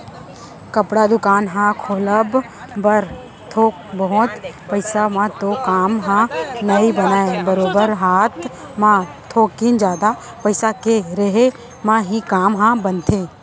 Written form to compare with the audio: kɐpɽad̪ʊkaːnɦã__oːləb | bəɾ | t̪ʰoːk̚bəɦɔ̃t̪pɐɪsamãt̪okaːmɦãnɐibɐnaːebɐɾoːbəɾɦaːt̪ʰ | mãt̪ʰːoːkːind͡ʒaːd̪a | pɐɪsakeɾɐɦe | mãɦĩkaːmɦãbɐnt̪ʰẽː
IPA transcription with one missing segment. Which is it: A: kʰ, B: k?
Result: A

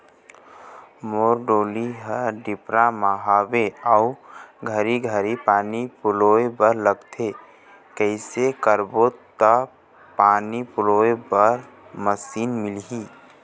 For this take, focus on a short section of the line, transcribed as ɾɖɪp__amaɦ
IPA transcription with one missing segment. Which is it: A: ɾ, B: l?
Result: A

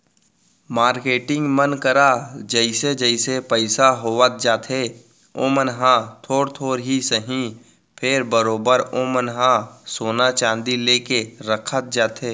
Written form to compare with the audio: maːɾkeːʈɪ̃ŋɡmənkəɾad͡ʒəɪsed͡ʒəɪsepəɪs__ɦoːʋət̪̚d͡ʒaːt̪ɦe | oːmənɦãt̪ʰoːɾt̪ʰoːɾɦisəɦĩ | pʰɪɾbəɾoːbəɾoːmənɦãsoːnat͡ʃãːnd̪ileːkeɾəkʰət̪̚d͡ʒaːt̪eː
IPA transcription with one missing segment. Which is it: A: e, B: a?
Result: B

